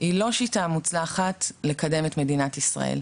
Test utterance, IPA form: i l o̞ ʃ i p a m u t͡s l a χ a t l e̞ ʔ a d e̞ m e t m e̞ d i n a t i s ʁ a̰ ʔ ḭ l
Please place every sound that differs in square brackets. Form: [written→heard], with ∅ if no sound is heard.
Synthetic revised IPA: i l o̞ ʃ i [p→t] a m u t͡s l a χ a t l e̞ [ʔ→k] a d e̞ m e t m e̞ d i n a t i s ʁ a̰ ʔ [ḭ→ḛ] l